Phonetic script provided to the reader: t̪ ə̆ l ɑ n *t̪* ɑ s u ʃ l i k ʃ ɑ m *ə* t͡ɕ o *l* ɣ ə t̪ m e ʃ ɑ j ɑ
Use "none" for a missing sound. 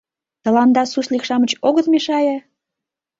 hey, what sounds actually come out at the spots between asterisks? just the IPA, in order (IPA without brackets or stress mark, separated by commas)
d̪, ə, none